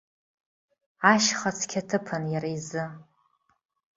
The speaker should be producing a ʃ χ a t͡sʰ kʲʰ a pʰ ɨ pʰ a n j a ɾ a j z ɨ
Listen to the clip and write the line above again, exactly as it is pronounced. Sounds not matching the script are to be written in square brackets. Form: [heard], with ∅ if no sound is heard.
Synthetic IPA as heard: a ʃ χ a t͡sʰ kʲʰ a [tʰ] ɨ pʰ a n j a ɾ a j z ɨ